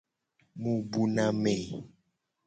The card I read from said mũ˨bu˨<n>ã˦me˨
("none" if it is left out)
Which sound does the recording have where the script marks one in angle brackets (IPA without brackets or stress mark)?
n